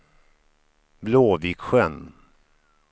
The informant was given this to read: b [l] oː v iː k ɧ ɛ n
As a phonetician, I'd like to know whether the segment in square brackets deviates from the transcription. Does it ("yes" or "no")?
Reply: no